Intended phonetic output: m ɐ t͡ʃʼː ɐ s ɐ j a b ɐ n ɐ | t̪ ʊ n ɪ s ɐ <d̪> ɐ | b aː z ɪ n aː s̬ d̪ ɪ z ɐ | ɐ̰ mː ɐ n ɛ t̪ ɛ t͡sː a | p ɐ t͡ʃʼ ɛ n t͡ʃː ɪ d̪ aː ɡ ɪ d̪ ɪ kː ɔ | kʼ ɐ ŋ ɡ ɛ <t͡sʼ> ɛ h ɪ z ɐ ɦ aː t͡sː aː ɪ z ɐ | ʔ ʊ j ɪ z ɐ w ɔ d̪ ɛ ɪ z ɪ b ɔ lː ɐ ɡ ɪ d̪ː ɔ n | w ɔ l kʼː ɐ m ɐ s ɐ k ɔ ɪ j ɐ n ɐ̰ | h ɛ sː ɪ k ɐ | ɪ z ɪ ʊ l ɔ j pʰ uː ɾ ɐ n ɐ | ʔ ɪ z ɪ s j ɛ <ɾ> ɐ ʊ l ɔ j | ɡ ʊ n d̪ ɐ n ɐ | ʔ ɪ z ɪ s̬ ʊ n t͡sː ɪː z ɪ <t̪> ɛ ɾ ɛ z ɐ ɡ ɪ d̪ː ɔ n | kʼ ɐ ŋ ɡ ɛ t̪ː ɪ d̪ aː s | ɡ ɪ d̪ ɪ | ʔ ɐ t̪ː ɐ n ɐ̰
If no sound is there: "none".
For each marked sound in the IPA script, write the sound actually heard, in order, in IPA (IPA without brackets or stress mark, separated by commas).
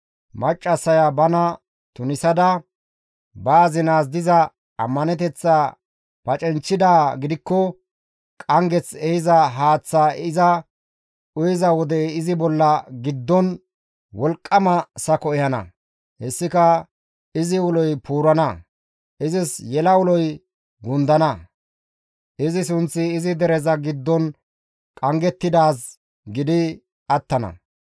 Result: d̪, t͡s, l, d̪